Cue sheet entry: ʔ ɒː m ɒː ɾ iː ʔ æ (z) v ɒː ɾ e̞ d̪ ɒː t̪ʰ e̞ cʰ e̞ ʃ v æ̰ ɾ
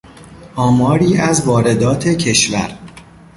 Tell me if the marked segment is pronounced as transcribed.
yes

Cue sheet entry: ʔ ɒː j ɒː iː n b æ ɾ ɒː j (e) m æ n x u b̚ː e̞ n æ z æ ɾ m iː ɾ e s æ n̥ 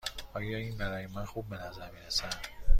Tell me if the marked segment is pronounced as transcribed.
yes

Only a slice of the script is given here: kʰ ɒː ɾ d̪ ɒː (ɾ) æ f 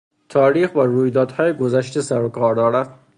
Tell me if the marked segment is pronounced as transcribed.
yes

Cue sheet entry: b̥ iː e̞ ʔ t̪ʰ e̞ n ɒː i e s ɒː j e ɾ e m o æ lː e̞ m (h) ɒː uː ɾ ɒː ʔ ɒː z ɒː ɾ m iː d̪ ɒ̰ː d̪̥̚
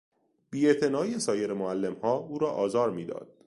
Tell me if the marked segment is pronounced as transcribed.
yes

